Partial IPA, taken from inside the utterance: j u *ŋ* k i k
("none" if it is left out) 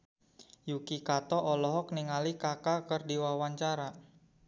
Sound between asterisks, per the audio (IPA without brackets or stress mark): none